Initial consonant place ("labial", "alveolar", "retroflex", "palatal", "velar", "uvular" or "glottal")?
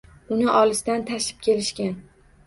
alveolar